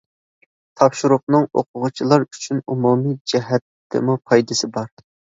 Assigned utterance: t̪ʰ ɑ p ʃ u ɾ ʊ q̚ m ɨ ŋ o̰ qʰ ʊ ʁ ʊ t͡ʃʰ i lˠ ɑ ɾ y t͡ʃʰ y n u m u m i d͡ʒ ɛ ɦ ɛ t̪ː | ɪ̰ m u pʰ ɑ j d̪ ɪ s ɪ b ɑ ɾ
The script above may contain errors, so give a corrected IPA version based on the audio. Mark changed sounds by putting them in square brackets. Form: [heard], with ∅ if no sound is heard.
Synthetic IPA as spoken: t̪ʰ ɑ p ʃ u ɾ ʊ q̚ [n] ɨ ŋ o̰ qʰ ʊ ʁ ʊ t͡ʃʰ i lˠ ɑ ɾ y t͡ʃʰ y n u m u m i d͡ʒ ɛ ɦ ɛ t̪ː | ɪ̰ m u pʰ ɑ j d̪ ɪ s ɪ b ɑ ɾ